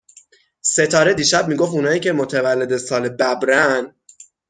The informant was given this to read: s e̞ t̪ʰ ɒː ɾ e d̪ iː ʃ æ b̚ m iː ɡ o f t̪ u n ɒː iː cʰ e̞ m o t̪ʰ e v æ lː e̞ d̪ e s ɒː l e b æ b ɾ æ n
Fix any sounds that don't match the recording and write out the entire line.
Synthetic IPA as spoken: s e̞ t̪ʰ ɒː ɾ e d̪ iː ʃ æ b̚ m iː ɡ o f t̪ u n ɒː iː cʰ e̞ m o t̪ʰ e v æ lː e̞ d̪ e s ɒː l e b æ b ɾ æ n

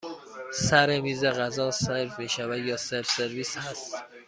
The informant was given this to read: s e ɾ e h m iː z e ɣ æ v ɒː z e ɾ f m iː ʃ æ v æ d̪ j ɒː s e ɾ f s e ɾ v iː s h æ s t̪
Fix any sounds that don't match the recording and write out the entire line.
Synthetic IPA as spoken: s æ ɾ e m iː z e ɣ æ z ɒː s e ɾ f m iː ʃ æ v æ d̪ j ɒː s e ɾ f s e ɾ v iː s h æ s t̪

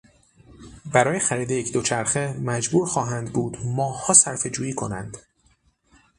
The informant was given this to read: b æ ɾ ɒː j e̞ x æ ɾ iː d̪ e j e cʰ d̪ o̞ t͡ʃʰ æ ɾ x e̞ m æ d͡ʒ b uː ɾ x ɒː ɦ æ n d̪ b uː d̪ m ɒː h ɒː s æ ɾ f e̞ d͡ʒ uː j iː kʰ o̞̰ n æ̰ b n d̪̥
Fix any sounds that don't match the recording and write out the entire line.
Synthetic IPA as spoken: b æ ɾ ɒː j e̞ x æ ɾ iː d̪ e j e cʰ d̪ o̞ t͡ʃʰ æ ɾ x e̞ m æ d͡ʒ b uː ɾ x ɒː ɦ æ n d̪ b uː d̪ m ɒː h ɒː s æ ɾ f e̞ d͡ʒ uː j iː kʰ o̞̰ n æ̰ n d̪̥

